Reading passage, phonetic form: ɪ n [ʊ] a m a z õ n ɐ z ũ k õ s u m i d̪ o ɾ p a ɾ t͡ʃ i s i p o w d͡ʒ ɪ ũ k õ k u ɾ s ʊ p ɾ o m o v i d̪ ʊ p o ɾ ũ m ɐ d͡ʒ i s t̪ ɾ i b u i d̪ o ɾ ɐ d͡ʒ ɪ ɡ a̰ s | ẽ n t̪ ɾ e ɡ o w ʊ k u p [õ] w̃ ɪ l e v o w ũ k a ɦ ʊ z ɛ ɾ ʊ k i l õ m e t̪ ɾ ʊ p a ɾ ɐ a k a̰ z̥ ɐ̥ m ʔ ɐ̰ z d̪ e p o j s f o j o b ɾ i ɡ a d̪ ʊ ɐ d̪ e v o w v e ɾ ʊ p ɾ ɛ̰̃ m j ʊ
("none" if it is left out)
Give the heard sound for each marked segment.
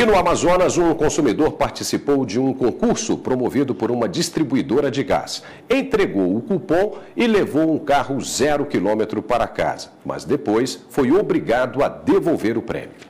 ʊ, õ

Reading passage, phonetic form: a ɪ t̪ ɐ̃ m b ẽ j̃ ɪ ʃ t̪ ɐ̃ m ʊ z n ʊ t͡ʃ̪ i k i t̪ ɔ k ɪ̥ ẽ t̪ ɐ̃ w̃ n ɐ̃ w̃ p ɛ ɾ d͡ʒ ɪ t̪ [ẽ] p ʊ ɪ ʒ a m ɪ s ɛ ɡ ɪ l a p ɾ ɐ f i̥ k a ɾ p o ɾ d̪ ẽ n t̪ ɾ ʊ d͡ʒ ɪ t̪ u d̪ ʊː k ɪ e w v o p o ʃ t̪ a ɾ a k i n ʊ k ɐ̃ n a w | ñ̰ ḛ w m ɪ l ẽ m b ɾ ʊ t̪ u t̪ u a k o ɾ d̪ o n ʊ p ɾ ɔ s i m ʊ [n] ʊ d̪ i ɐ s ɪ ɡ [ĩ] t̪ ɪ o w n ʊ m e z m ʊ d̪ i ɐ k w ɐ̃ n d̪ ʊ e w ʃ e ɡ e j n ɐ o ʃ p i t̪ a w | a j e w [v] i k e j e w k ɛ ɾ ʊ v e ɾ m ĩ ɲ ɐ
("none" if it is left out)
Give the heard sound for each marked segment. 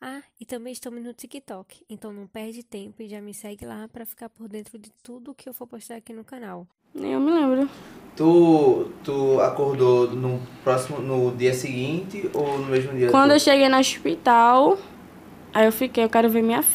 ẽ, n, ĩ, f

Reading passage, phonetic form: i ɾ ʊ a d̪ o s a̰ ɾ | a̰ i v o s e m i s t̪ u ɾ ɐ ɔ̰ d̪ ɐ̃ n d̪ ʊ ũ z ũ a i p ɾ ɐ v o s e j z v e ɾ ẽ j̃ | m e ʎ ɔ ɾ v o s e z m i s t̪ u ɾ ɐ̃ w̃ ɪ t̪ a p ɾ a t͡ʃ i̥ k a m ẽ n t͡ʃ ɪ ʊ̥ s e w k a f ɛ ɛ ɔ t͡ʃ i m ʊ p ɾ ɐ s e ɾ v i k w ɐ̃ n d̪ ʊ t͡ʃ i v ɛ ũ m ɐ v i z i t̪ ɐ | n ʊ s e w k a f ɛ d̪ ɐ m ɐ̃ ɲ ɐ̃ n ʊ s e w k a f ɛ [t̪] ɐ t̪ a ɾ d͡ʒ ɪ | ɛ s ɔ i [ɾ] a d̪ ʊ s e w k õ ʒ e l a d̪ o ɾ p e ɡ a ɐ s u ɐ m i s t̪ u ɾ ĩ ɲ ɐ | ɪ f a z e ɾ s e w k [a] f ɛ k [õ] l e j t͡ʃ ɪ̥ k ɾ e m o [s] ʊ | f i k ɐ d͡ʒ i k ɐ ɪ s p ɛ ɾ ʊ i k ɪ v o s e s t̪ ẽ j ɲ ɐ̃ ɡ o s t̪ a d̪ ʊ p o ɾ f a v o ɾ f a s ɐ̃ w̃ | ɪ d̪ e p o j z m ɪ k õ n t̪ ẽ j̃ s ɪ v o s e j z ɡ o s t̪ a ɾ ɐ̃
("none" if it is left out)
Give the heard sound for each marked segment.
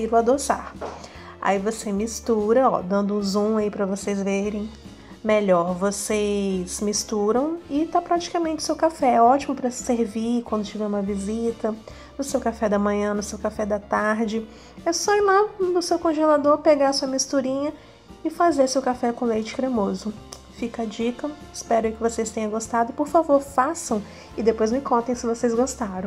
d̪, l, a, õ, z

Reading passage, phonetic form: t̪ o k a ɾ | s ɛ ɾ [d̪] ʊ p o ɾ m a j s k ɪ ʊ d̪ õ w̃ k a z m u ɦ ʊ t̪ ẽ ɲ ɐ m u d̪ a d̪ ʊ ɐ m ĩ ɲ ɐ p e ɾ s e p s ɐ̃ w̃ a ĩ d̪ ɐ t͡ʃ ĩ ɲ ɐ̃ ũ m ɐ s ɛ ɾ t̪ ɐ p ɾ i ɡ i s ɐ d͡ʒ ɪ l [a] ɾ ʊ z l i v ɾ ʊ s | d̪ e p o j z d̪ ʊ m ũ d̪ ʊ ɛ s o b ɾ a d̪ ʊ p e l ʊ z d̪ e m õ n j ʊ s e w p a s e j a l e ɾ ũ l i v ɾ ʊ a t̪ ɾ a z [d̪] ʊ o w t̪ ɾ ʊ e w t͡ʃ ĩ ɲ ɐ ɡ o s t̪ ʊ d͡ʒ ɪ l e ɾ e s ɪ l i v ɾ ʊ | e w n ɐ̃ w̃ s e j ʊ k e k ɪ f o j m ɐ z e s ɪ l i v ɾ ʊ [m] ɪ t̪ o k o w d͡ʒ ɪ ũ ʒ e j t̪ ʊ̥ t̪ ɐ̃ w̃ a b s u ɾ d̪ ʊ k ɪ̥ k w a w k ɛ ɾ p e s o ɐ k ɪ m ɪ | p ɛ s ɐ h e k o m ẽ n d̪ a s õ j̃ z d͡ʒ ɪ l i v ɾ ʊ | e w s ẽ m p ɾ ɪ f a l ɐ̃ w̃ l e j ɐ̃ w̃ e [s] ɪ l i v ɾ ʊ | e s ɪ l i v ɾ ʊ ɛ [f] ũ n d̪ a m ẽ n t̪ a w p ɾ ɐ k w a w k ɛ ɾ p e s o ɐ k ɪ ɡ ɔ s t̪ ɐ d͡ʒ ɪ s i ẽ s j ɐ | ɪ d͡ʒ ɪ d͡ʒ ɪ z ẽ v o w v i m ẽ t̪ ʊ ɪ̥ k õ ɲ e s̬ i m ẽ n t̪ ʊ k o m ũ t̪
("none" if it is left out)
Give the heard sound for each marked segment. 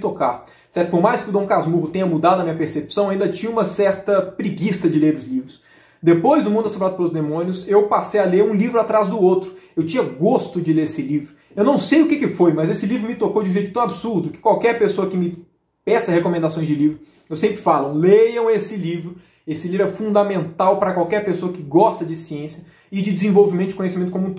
t̪, e, d̪, m, s, f

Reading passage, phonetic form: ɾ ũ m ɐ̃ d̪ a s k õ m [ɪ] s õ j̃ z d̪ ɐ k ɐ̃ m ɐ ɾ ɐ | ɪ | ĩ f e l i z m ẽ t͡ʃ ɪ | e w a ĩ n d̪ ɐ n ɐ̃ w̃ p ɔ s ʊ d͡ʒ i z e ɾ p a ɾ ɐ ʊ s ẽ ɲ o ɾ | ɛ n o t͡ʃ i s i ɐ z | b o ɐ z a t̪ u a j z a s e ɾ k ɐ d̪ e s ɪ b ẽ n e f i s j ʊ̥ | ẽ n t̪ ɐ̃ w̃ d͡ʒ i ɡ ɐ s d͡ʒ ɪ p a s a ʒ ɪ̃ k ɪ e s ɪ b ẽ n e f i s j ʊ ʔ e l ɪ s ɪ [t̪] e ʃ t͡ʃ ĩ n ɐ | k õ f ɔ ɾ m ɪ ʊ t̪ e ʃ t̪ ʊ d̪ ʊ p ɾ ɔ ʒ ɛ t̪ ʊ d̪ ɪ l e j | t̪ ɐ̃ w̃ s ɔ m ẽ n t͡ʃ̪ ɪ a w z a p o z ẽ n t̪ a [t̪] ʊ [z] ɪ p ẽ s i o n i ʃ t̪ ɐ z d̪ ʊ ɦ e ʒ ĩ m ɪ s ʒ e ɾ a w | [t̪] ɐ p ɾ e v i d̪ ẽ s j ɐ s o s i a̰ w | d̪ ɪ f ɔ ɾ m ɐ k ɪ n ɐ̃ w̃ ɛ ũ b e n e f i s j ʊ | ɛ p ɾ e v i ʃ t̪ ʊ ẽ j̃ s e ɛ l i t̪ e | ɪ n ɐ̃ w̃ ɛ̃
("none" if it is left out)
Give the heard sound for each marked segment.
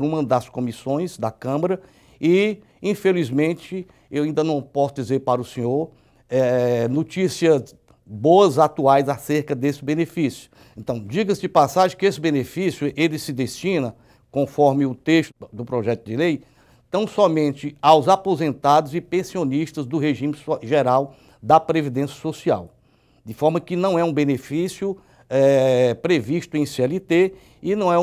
i, d̪, d̪, z, d̪

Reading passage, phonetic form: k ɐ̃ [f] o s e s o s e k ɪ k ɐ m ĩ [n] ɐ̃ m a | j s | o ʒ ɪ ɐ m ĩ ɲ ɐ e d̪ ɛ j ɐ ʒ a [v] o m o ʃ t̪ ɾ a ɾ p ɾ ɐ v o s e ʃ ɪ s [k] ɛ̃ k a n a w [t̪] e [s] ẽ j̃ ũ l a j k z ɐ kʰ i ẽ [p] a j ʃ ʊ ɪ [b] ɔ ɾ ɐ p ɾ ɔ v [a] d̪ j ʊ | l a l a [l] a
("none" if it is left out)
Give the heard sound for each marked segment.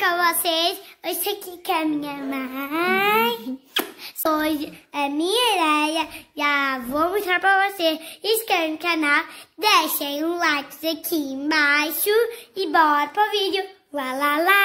v, ɲ, v, k, d̪, ʃ, b, b, i, l

